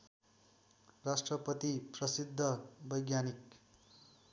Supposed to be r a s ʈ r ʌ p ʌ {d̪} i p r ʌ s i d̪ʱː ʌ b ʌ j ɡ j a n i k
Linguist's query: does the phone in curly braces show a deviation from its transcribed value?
yes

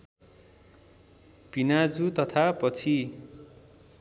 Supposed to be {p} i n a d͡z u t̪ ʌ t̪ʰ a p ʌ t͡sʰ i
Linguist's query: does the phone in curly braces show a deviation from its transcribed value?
no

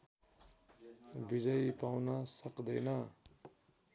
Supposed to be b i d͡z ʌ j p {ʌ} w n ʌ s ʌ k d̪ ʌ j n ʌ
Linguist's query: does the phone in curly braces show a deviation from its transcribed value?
yes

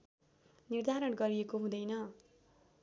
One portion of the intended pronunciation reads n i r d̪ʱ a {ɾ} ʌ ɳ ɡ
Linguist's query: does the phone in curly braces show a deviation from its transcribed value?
no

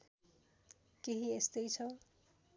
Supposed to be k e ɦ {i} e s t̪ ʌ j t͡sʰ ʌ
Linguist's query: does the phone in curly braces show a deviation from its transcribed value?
no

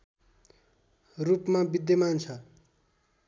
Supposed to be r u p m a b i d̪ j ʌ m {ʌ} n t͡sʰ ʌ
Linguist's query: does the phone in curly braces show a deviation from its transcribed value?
yes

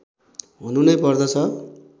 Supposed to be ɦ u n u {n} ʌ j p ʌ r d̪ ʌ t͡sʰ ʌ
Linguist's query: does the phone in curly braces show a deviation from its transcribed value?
no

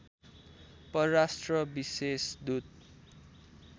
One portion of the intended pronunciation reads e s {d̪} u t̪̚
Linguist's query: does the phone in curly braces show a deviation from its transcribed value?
no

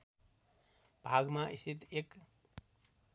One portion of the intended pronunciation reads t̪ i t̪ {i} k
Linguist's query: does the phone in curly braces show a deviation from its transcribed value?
yes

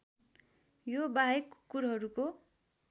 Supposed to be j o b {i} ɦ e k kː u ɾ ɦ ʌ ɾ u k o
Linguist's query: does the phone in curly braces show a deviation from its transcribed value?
yes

